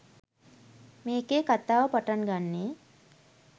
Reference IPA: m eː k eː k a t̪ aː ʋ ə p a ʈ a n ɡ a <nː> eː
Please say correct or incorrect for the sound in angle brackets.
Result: correct